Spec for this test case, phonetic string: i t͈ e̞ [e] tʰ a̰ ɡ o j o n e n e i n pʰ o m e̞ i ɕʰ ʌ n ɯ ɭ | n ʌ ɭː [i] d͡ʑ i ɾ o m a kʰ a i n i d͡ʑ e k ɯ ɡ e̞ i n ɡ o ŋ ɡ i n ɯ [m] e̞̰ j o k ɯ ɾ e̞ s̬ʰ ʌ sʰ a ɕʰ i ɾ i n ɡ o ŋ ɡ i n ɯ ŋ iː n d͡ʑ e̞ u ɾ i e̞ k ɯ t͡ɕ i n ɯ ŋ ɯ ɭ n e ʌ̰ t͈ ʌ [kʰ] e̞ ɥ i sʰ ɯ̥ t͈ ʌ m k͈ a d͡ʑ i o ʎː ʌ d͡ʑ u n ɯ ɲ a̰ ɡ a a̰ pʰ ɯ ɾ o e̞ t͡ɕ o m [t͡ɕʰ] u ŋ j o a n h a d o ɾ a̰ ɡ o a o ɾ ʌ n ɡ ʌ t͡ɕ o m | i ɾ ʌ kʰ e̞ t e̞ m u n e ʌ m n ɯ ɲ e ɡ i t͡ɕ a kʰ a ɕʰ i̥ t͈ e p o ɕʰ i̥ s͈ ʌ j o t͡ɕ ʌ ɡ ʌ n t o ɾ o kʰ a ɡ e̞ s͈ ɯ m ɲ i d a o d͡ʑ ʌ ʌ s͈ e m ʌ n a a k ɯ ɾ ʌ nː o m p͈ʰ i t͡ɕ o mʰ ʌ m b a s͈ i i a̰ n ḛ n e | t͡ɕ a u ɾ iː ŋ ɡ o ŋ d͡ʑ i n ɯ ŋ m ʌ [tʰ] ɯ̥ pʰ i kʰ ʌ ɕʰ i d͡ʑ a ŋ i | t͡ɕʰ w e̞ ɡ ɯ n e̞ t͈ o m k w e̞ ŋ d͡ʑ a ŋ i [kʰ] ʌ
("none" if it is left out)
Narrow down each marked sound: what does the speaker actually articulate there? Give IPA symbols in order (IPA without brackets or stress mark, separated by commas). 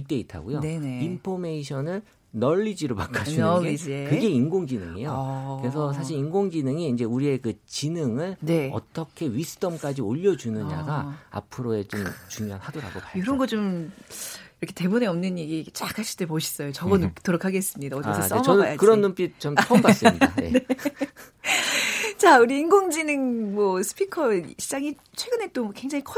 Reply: i, i, ŋ, kʰ, t͡ɕ, sʰ, kʰ